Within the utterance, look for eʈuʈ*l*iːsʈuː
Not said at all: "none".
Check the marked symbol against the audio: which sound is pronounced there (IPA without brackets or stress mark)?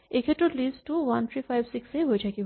l